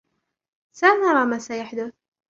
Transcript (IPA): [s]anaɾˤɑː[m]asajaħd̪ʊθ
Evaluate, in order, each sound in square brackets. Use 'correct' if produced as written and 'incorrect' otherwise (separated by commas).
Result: correct, correct